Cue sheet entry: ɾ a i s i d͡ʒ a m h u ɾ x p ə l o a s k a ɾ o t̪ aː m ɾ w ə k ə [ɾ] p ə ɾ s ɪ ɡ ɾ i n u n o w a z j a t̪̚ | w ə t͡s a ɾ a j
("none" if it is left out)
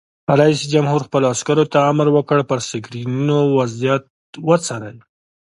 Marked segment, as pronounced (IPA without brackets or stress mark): ɽ